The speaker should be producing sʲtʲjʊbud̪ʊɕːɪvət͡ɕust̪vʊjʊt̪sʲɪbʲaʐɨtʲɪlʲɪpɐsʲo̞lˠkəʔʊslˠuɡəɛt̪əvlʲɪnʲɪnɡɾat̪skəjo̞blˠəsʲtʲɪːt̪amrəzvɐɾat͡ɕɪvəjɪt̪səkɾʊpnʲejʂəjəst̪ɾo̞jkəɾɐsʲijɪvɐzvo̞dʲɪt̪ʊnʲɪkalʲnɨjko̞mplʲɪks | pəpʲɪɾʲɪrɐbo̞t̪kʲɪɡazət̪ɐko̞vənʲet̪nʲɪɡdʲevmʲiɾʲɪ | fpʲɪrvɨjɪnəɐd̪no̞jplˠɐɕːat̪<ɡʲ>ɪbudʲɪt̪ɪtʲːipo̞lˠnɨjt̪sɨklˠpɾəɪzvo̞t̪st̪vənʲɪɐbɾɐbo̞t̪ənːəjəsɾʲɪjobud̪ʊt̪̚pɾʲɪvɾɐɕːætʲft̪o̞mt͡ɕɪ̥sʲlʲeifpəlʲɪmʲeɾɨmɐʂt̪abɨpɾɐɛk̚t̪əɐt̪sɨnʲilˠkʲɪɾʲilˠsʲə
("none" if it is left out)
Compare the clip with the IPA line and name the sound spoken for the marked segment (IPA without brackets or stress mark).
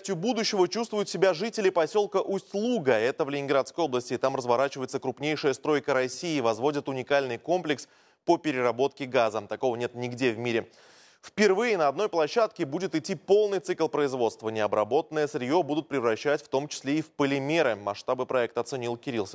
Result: kʲ